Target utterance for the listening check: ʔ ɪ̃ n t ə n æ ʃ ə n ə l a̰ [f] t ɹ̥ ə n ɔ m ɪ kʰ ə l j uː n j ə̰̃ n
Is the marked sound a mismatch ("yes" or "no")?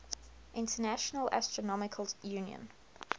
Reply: yes